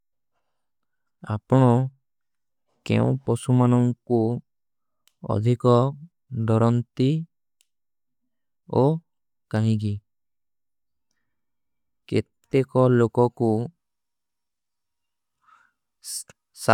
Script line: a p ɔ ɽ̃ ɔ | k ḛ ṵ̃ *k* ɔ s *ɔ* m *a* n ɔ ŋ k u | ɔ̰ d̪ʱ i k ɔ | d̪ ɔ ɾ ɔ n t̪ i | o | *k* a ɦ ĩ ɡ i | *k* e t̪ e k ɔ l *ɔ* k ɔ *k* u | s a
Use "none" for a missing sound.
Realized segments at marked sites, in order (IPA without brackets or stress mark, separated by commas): p, u, a, k, k, o, k